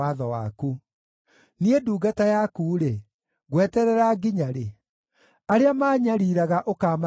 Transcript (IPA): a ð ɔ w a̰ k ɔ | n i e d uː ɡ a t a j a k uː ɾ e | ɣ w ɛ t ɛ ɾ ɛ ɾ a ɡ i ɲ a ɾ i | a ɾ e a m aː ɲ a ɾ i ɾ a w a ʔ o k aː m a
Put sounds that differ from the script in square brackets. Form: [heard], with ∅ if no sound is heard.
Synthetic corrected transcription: a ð ɔ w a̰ k [u] | n i e d uː ɡ a t a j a k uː ɾ e | ɣ w ɛ t ɛ ɾ ɛ ɾ a ɡ i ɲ a ɾ [e] | a ɾ e a m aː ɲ a ɾ i ɾ a [ɣ] a ʔ o k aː m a